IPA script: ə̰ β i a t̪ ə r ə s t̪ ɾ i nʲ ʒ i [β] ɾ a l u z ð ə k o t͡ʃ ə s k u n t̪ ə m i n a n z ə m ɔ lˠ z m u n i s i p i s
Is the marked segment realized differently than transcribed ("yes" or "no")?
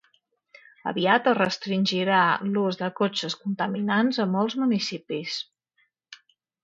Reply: yes